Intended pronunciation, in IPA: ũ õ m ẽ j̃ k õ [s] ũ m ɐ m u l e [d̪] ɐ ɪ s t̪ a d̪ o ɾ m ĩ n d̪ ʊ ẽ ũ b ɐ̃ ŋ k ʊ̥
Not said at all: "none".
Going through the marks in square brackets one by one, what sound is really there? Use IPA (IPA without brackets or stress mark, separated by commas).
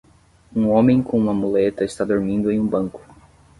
none, t̪